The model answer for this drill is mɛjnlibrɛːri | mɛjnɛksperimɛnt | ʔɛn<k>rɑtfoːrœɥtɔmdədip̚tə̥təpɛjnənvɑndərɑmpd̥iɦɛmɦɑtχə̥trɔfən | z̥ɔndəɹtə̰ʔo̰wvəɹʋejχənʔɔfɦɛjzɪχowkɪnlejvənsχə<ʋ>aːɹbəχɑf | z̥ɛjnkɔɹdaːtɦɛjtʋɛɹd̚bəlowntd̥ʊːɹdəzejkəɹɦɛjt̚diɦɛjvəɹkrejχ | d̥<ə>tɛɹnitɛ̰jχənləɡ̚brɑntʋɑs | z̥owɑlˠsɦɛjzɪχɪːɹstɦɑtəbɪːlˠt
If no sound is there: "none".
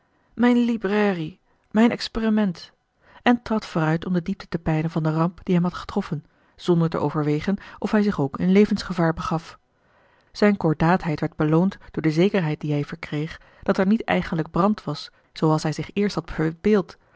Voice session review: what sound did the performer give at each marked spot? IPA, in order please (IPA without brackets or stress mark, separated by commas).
t, v, ɑ